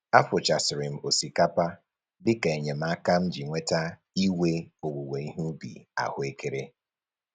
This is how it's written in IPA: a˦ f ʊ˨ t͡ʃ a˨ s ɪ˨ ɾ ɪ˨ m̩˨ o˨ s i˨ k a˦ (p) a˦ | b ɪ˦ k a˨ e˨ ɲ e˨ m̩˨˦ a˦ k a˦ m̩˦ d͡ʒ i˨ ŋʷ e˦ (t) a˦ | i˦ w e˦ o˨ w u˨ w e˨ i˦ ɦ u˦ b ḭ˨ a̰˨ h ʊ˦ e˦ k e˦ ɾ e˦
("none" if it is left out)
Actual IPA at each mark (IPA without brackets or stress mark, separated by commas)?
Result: p, t